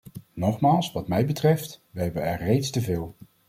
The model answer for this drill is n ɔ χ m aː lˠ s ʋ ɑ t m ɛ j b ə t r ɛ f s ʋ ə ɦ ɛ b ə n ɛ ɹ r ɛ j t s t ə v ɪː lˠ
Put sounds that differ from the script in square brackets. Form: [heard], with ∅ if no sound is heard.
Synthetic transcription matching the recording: n ɔ χ m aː lˠ s ʋ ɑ t m ɛ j b ə t r ɛ f [t] ʋ ə ɦ ɛ b ə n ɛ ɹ r [e] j t s t ə v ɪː lˠ